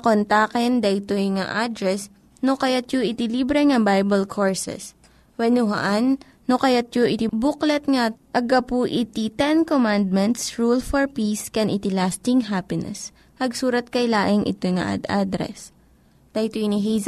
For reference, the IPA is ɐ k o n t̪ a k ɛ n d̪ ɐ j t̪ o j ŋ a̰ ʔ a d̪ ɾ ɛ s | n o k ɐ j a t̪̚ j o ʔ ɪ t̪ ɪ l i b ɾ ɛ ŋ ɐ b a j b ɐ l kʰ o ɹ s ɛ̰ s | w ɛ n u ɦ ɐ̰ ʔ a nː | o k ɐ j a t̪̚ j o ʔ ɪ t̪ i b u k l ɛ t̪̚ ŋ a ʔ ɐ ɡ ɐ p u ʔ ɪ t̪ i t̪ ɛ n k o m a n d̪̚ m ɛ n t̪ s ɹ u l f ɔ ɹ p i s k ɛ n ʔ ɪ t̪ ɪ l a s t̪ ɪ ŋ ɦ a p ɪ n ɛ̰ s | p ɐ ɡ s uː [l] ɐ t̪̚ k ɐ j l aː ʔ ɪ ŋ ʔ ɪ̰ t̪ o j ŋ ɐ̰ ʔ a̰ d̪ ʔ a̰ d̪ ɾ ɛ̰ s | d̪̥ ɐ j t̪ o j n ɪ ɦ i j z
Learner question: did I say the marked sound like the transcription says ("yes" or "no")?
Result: no